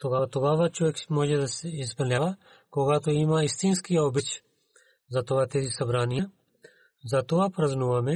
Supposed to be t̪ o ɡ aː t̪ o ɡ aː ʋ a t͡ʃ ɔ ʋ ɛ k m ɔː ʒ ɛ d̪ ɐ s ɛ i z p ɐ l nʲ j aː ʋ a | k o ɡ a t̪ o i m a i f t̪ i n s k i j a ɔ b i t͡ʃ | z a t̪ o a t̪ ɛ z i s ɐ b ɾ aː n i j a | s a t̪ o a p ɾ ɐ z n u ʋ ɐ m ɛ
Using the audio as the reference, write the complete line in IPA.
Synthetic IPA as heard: t̪ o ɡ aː t̪ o ɡ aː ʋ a t͡ʃ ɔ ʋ ɛ k m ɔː ʒ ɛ d̪ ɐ s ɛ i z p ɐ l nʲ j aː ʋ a | k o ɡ a t̪ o i m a i s t̪ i n s k i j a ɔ b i t͡ʃ | z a t̪ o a t̪ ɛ z i s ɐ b ɾ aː n i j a | z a t̪ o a p ɾ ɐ z n u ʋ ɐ m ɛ